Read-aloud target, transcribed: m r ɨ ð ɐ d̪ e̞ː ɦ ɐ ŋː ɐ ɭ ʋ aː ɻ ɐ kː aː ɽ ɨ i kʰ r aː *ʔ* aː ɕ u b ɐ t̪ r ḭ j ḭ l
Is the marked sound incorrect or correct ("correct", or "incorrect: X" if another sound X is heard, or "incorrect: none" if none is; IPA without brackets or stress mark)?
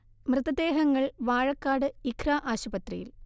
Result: correct